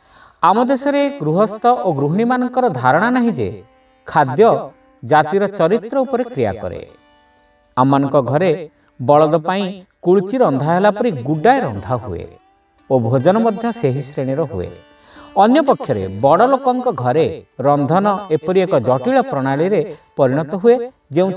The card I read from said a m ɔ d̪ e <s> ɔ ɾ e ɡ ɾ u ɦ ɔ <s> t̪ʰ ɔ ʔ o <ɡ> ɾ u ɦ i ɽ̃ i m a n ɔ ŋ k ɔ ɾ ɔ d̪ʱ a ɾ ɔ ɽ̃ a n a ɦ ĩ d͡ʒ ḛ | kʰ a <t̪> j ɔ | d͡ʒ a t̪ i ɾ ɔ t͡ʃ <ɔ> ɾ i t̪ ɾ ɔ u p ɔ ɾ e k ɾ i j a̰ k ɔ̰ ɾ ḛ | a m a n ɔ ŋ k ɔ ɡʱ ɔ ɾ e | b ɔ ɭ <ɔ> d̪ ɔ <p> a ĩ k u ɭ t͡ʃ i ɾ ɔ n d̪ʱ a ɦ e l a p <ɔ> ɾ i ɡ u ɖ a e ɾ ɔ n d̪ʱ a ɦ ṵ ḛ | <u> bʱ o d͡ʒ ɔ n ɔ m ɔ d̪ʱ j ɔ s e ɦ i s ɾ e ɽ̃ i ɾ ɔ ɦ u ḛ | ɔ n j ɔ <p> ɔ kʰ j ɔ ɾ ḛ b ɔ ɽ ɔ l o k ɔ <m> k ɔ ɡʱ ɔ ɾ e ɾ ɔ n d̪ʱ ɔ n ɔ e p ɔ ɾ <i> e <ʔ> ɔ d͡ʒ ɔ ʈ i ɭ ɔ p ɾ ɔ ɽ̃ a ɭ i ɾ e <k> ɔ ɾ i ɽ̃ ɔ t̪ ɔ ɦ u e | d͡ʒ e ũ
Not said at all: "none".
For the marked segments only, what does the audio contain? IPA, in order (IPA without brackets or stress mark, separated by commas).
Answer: s, s, ɡ, d̪, ɔ, ɔ, p, ɔ, o, p, ŋ, i, k, p